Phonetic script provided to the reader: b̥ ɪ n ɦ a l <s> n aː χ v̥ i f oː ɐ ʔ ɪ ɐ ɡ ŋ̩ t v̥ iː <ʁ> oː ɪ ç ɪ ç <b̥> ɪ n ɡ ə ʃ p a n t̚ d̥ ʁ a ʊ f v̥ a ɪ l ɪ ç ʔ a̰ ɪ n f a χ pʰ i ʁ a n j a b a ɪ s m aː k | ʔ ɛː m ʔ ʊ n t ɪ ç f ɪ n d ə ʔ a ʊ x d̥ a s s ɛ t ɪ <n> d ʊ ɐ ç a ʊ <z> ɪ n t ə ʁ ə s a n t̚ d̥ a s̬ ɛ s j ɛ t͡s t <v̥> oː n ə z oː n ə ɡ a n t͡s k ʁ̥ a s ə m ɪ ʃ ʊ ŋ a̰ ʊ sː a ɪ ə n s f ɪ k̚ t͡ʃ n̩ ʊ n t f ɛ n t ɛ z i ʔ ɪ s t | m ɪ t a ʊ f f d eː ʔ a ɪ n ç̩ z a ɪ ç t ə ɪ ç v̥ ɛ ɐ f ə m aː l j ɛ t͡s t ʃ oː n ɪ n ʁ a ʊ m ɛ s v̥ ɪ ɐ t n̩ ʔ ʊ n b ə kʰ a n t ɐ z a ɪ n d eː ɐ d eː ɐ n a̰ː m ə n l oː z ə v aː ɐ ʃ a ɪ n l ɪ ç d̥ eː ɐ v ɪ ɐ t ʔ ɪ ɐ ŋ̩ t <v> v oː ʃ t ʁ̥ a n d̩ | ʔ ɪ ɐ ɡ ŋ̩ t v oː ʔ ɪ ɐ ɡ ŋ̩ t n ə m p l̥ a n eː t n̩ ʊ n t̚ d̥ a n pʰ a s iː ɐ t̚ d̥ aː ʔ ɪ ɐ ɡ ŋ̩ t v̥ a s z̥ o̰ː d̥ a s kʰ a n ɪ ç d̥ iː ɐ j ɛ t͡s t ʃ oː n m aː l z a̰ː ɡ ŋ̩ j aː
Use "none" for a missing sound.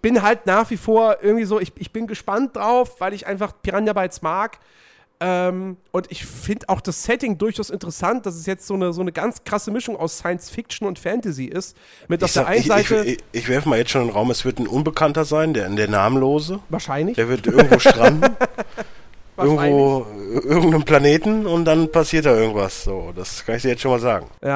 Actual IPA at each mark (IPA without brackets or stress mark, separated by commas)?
t, z, b̥, ŋ, s, z̥, v